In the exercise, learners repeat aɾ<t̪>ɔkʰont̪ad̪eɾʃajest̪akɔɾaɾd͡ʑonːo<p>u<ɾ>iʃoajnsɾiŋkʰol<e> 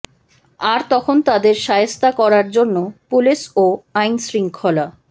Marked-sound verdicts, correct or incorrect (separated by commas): correct, correct, incorrect, incorrect